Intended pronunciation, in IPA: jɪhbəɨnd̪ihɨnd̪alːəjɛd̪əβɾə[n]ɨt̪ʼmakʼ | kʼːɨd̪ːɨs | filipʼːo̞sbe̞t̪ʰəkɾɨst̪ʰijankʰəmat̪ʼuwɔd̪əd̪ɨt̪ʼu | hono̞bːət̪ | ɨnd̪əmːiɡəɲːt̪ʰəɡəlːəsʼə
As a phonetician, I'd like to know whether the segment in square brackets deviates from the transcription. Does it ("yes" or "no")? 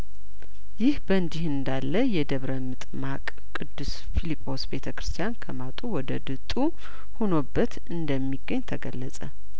yes